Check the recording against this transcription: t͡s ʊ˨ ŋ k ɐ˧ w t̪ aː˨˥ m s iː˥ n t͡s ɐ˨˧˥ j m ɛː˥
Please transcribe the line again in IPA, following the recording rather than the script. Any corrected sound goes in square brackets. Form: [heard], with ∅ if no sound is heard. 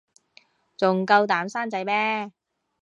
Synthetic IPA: t͡s ʊ˨ ŋ k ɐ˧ w t̪ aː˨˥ m s [aː˥] n t͡s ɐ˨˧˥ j m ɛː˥